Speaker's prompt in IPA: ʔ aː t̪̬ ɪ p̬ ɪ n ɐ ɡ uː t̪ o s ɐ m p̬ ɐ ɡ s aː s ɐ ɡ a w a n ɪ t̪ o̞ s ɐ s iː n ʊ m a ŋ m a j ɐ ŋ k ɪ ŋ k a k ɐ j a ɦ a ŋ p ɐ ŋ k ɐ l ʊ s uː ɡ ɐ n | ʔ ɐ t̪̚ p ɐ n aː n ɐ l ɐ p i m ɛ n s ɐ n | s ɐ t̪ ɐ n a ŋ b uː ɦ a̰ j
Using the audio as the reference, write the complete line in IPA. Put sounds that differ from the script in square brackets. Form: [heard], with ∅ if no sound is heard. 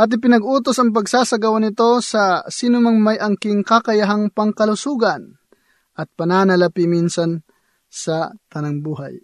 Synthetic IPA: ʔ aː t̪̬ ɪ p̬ ɪ n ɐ ɡ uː t̪ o s ɐ [ŋ] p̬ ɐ ɡ s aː s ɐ ɡ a w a n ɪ t̪ o̞ s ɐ s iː n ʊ m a ŋ m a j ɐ ŋ k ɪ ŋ k a k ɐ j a ɦ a ŋ p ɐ ŋ k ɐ l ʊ s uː ɡ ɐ n | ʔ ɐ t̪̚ p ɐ n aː n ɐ l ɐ p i m [i] n s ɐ n | s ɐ t̪ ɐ n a ŋ b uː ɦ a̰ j